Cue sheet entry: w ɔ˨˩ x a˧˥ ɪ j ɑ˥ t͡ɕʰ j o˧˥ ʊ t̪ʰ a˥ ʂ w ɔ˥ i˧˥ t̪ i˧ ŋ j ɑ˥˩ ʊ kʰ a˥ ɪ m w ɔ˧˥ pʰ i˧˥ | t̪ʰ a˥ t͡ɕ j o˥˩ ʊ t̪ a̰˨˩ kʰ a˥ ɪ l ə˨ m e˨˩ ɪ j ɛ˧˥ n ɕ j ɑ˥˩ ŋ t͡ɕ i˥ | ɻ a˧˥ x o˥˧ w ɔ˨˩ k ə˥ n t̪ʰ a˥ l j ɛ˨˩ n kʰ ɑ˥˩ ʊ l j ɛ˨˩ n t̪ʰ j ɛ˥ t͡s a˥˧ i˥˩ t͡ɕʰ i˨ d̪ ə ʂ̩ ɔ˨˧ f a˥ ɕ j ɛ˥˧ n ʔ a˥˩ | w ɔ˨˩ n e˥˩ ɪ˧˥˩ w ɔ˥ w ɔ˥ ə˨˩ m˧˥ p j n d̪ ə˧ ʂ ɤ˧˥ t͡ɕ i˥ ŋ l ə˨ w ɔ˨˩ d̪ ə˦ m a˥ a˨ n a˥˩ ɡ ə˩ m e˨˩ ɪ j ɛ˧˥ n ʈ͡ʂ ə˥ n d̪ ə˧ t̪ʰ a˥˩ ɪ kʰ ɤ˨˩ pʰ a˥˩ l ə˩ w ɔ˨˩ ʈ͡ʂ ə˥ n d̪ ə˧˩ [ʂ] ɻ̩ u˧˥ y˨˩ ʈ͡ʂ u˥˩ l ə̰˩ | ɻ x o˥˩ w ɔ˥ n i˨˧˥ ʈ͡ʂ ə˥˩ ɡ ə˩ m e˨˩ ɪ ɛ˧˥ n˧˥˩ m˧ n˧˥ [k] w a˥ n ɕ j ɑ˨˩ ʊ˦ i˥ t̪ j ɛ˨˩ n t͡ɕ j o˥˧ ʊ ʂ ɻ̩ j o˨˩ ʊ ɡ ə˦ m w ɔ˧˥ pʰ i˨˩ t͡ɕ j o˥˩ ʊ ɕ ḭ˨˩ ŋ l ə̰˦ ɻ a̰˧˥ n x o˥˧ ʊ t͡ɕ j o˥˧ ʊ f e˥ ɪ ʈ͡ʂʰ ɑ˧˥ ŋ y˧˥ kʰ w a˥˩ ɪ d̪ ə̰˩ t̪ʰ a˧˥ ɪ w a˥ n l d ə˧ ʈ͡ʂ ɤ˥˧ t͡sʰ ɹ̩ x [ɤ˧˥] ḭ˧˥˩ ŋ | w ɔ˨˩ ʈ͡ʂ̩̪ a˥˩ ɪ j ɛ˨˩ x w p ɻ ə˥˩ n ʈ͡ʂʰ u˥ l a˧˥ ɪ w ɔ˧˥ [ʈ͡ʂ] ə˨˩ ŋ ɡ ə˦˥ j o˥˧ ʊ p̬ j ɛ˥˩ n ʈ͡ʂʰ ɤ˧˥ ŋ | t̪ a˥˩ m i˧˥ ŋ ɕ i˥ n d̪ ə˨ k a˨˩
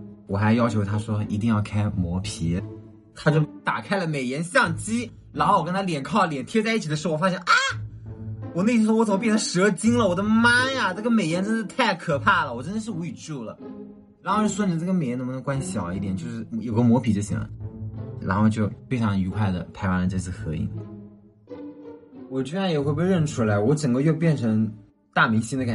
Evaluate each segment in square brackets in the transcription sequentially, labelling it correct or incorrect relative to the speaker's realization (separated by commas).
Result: correct, correct, correct, correct